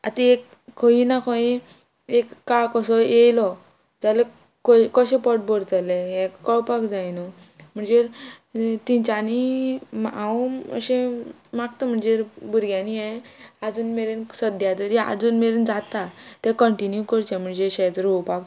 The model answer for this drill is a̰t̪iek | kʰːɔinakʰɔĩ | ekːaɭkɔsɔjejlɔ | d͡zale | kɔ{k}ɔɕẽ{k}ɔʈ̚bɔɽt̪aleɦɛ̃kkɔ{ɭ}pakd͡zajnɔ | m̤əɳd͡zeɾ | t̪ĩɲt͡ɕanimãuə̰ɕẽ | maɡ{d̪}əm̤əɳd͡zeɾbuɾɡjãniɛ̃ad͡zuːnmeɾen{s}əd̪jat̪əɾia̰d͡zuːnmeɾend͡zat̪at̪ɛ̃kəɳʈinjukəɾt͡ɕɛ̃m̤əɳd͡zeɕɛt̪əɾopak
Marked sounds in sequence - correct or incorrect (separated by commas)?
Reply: correct, incorrect, correct, incorrect, correct